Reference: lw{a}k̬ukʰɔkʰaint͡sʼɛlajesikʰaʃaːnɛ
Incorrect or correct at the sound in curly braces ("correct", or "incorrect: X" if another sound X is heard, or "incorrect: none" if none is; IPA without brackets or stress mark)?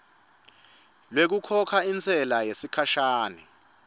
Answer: incorrect: e